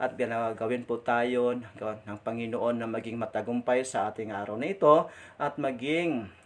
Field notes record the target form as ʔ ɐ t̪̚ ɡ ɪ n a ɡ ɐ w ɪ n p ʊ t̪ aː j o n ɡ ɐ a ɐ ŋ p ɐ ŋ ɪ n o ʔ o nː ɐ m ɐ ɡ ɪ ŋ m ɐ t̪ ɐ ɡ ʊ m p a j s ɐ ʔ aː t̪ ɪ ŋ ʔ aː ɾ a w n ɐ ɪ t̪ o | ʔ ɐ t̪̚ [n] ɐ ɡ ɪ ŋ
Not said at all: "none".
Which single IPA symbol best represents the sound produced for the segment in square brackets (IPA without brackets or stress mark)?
m